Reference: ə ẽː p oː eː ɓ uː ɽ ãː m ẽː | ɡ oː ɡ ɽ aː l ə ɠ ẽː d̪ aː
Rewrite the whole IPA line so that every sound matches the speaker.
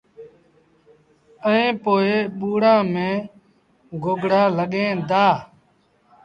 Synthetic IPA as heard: ə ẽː p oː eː ɓ uː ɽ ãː m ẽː | ɡ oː ɡ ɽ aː l ə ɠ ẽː d̪ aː